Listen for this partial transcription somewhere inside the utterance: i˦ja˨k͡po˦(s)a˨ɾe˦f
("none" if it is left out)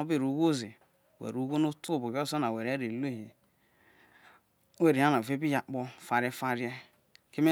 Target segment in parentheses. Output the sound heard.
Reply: f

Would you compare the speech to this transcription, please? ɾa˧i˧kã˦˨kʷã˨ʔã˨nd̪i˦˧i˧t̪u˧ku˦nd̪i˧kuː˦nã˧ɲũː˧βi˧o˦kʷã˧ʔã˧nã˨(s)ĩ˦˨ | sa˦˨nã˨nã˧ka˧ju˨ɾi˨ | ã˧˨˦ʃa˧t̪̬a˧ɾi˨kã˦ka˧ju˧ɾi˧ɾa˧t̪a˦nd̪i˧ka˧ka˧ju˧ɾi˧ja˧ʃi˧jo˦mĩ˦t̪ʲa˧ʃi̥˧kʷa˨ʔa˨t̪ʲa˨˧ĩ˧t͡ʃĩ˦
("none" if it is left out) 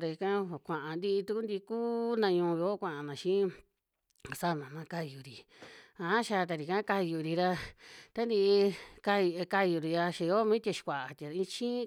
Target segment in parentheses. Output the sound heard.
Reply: ʃ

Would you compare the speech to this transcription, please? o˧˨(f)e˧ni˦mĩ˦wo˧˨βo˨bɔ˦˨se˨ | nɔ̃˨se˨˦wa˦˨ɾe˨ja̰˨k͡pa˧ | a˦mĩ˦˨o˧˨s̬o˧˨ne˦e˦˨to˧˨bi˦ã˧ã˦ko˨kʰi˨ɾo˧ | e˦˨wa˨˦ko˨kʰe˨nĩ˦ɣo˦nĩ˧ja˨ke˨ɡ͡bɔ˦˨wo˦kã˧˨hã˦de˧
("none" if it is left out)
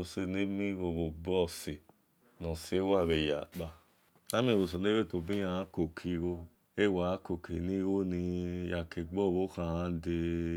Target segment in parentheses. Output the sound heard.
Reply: s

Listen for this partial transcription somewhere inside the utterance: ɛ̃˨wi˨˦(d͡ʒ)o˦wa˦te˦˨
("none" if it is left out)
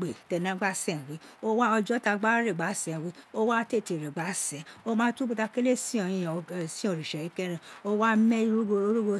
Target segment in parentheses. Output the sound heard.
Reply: none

